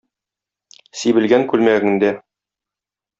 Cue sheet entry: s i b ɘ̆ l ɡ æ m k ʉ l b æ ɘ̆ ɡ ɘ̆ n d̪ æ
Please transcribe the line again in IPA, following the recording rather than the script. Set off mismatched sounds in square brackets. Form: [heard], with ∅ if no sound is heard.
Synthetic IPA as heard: s i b ɘ̆ l ɡ æ [ŋ] k ʉ l [m] æ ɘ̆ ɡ ɘ̆ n d̪ æ